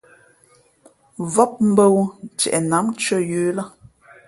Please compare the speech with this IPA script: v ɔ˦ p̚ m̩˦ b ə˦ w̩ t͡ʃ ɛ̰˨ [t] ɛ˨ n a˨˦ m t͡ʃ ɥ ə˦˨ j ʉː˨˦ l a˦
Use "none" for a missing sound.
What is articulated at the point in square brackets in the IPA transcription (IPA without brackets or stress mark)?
ʔ